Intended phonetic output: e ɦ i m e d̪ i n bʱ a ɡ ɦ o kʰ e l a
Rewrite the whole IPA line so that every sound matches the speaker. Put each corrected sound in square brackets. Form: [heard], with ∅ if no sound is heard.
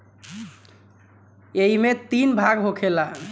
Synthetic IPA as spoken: e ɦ i m e [t̪] i n bʱ a ɡ ɦ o kʰ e l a